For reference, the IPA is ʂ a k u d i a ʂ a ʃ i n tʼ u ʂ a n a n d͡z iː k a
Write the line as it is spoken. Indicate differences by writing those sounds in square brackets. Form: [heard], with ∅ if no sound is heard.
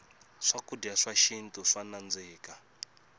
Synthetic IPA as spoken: ʂ a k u d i a ʂ a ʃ i n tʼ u ʂ a n a n d͡z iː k a